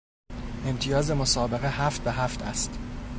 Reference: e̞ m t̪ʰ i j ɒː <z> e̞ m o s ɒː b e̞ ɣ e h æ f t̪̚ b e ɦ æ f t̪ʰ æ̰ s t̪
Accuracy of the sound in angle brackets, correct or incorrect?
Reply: correct